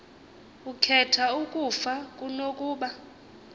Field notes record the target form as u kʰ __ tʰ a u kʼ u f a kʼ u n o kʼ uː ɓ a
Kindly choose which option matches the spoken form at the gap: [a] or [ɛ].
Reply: ɛ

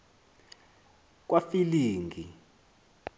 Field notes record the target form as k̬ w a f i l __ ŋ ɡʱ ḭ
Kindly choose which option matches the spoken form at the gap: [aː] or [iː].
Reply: iː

